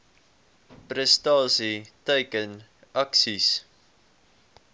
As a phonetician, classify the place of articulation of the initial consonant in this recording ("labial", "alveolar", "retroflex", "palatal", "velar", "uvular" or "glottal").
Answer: labial